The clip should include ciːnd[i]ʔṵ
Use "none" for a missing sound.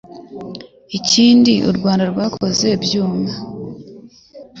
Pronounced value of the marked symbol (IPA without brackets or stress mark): i